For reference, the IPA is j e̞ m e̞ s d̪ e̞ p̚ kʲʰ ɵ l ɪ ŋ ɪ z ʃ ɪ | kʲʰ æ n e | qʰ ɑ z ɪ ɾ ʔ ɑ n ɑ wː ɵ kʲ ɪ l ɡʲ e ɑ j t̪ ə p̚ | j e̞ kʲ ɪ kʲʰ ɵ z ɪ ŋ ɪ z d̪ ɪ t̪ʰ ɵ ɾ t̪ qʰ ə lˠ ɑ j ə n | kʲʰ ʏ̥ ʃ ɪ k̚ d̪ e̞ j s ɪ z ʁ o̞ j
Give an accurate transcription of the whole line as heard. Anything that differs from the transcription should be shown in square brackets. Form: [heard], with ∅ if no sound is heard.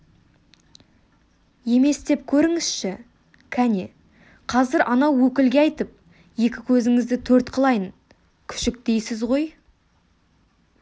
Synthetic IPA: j e̞ m e̞ s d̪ e̞ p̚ kʲʰ ɵ [ɾ] ɪ ŋ ɪ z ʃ ɪ | kʲʰ æ n e | qʰ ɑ z ɪ ɾ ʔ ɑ n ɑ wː ɵ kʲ ɪ l ɡʲ e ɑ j t̪ ə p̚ | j e̞ kʲ ɪ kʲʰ ɵ z ɪ ŋ ɪ z d̪ ɪ t̪ʰ ɵ ɾ t̪ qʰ ə lˠ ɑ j ə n | kʲʰ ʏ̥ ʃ ɪ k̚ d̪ e̞ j s ɪ z ʁ o̞ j

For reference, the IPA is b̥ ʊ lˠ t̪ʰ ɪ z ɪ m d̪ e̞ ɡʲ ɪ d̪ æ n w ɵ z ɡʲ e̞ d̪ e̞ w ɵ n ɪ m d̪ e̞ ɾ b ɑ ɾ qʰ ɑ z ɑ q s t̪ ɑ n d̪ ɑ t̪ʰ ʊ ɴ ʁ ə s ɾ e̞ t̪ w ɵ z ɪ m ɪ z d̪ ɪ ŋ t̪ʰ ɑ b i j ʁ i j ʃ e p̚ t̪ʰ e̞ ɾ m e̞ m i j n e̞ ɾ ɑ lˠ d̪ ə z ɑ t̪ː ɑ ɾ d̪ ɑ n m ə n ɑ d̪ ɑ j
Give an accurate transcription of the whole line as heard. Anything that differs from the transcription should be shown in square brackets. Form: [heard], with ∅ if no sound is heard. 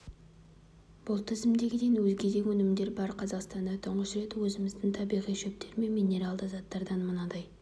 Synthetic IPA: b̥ ʊ lˠ t̪ʰ ɪ z ɪ m d̪ e̞ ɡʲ ɪ d̪ [e] n w ɵ z ɡʲ e̞ d̪ e̞ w ɵ n ɪ m d̪ e̞ ɾ b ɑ ɾ qʰ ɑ z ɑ q s t̪ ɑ n d̪ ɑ t̪ʰ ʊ ɴ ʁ ə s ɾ e̞ t̪ w ɵ z ɪ m ɪ z d̪ ɪ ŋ t̪ʰ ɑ b i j ʁ i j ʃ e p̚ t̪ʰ e̞ ɾ m e̞ m i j n e̞ ɾ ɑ lˠ d̪ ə z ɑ t̪ː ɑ ɾ d̪ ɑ n m ə n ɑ d̪ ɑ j

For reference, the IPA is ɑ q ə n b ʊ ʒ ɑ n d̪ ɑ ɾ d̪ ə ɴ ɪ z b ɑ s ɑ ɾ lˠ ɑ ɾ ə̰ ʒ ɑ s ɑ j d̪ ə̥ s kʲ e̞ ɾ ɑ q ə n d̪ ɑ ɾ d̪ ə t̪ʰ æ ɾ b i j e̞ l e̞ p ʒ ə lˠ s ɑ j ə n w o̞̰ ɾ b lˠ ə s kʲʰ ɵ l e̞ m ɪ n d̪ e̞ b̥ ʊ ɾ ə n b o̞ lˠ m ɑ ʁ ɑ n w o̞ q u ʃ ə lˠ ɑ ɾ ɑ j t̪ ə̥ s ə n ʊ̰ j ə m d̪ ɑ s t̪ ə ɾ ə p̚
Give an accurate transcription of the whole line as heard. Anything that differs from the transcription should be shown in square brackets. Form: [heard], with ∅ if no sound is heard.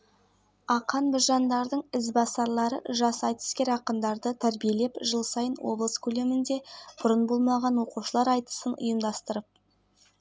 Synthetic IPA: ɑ q [ɑ] n b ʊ ʒ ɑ n d̪ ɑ ɾ d̪ ə ɴ ɪ z b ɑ s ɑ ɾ lˠ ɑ ɾ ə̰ ʒ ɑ s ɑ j [t̪] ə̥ s kʲ e̞ ɾ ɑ q ə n d̪ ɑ ɾ d̪ ə t̪ʰ æ ɾ b i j e̞ l e̞ p ʒ ə lˠ s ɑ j ə n w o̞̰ [∅] b lˠ ə s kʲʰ ɵ l e̞ m ɪ n d̪ e̞ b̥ ʊ ɾ ə n b o̞ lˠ m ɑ ʁ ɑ n w o̞ q u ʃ ə lˠ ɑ ɾ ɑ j t̪ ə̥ s ə n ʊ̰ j ə m d̪ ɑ s t̪ ə ɾ ə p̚

